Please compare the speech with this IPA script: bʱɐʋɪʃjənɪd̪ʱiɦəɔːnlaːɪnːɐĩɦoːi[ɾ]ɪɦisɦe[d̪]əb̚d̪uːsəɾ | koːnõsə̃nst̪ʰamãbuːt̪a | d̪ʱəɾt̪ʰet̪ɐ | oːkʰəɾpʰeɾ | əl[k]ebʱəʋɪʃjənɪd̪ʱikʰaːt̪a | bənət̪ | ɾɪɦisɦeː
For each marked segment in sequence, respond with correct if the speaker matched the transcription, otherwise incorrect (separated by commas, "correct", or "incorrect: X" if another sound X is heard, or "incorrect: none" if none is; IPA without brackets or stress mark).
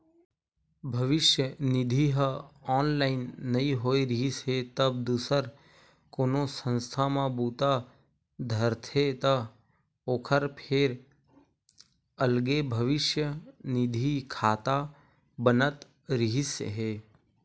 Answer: correct, incorrect: t̪, incorrect: ɡ